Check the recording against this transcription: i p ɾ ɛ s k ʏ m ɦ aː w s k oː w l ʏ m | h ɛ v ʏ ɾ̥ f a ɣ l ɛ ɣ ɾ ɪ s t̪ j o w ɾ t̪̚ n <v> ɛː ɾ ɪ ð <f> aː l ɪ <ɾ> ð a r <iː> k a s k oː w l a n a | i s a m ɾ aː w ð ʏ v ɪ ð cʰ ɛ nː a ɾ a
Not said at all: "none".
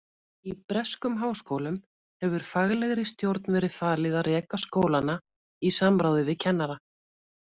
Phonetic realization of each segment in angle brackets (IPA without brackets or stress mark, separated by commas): v, f, none, ɛː